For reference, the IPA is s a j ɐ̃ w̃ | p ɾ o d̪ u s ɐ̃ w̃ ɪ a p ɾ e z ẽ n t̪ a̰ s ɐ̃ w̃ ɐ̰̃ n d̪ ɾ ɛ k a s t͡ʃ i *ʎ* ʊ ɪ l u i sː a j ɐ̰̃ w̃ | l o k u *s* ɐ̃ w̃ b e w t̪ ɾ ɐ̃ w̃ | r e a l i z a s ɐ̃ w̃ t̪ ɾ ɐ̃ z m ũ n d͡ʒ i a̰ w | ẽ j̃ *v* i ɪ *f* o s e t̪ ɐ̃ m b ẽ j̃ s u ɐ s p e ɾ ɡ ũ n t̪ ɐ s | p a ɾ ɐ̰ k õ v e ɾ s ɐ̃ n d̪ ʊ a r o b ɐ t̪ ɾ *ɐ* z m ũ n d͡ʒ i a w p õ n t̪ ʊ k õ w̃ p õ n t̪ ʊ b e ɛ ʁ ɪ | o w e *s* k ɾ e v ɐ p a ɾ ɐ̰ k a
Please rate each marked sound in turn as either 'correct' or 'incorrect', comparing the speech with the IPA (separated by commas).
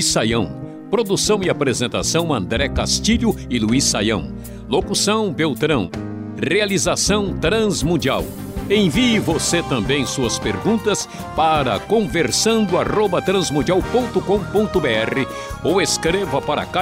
correct, correct, correct, incorrect, incorrect, correct